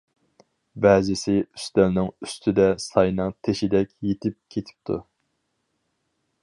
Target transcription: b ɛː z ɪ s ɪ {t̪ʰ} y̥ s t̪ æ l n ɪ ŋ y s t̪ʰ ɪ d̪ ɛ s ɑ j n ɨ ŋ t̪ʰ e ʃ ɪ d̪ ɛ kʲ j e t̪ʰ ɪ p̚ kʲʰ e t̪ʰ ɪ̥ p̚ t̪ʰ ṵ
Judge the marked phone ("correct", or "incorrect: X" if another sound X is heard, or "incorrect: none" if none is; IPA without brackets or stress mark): incorrect: none